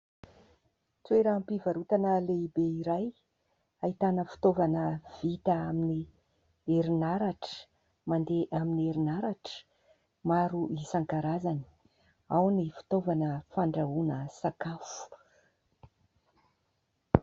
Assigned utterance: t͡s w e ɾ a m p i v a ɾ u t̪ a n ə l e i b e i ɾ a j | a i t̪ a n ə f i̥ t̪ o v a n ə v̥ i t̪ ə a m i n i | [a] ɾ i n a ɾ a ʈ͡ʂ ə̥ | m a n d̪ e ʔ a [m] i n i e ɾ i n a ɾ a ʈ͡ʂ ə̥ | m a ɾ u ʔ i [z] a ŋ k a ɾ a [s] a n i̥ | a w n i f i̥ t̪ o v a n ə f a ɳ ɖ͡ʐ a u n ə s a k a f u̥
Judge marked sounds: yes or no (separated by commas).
no, yes, no, no